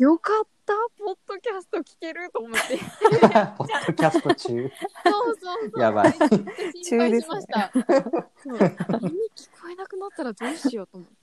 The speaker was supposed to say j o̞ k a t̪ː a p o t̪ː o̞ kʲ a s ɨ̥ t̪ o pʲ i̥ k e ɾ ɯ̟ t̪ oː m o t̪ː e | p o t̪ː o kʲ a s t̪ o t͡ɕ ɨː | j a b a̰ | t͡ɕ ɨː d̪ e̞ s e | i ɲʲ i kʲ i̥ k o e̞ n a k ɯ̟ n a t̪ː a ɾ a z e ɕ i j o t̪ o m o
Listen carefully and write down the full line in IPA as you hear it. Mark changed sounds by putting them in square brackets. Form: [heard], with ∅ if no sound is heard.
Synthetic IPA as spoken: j o̞ k a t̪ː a p o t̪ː o̞ kʲ a s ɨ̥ t̪ o [kʲ] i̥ k e ɾ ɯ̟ t̪ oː m o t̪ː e | p o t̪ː o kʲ a s t̪ o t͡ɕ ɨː | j a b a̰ | t͡ɕ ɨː d̪ e̞ s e | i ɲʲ i kʲ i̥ k o e̞ n a k ɯ̟ n a t̪ː a ɾ a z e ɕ i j o t̪ o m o